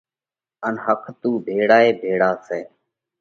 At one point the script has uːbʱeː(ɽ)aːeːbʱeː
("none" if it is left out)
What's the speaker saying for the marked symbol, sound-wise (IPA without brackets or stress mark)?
ɽ